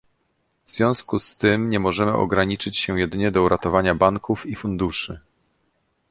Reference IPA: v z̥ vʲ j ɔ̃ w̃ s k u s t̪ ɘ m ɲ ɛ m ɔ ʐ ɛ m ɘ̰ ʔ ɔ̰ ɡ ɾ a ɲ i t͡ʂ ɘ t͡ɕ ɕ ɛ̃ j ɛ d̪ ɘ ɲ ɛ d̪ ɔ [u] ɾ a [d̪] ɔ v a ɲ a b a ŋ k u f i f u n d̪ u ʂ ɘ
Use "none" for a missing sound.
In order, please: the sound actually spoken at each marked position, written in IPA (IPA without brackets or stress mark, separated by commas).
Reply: u, t̪